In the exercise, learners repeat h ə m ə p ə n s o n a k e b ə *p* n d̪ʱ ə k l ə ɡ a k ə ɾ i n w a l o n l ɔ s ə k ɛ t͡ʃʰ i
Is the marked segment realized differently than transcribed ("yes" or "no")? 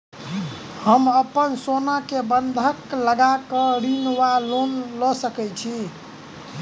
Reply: yes